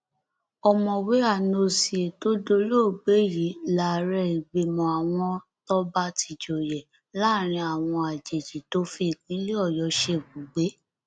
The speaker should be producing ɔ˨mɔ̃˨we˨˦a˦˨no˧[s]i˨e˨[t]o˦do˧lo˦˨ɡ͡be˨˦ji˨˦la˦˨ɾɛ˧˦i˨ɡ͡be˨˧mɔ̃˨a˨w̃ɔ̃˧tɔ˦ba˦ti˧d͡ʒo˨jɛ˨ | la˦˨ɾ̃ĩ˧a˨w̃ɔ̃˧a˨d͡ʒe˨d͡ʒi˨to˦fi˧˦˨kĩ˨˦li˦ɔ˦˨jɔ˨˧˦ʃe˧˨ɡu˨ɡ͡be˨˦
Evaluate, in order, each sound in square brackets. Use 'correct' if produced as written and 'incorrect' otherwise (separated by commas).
correct, correct